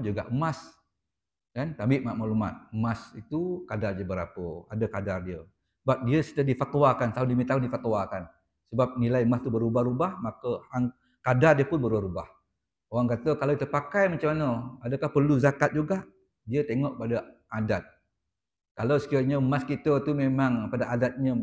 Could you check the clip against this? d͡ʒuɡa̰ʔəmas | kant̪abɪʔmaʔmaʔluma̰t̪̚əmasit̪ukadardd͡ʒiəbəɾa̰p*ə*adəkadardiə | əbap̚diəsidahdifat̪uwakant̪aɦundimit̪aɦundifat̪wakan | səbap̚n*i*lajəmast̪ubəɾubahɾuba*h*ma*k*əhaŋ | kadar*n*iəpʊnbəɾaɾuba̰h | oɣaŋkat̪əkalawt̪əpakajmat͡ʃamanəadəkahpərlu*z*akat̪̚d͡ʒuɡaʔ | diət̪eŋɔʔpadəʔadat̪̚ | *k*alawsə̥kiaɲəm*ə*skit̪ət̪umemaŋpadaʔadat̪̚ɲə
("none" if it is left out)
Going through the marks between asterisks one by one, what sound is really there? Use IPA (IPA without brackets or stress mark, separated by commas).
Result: ə, i, h, k, d, z, k, a